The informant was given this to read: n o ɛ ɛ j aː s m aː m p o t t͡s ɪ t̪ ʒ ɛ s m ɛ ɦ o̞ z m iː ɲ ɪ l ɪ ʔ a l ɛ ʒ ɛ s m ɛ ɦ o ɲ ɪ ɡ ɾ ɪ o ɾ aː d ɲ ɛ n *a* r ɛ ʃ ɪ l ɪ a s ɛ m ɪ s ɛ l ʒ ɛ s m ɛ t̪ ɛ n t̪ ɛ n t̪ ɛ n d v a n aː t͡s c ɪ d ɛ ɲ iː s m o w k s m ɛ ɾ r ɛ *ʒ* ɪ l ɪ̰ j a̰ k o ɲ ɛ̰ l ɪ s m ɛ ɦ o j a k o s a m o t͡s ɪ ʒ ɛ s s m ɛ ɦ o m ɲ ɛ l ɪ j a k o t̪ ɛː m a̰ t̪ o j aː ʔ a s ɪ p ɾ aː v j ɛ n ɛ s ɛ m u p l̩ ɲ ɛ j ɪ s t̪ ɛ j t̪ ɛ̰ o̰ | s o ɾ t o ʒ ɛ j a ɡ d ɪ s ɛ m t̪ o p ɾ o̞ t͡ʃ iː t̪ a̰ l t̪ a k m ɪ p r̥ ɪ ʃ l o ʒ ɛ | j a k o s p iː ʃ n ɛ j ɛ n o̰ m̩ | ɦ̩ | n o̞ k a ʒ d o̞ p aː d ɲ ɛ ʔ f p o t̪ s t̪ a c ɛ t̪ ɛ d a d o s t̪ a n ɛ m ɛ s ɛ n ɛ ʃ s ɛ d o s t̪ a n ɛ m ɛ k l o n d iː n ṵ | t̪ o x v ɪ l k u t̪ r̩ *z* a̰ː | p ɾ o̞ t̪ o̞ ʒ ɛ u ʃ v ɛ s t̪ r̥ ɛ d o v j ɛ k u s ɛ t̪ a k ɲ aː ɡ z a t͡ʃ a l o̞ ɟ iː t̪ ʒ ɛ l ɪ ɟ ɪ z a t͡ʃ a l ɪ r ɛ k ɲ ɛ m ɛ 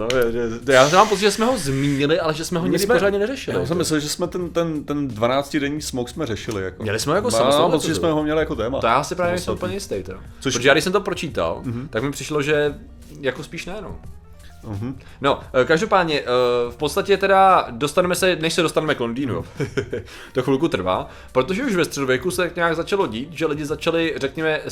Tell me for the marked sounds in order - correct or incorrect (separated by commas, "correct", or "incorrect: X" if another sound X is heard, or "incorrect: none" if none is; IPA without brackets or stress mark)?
incorrect: ɛ, incorrect: ʃ, incorrect: v